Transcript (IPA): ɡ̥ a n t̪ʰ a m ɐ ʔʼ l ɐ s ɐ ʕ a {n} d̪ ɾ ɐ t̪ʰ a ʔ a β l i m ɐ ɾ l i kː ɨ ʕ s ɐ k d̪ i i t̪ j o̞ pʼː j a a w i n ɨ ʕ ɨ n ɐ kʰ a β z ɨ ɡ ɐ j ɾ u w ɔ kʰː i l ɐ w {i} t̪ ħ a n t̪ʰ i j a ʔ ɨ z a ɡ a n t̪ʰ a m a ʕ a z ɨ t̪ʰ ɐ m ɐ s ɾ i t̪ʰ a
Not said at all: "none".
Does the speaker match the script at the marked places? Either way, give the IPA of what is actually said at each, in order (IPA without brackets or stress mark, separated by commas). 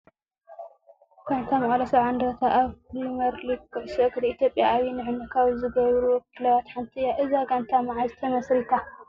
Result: n, a